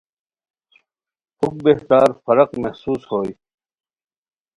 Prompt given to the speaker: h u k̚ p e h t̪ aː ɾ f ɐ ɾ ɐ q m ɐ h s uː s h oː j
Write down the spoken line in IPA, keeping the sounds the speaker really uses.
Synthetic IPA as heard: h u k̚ b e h t̪ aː ɾ f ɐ ɾ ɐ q m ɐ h s uː s h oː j